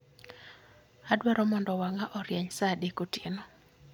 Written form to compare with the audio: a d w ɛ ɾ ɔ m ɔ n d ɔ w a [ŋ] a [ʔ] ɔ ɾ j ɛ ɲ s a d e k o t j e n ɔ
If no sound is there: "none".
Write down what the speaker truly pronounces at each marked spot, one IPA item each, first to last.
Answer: ŋ, ʔ

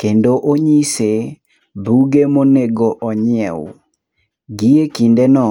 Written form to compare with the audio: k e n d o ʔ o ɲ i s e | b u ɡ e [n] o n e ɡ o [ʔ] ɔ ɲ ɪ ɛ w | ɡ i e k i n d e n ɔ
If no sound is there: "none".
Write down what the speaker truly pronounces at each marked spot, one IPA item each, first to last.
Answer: m, ʔ

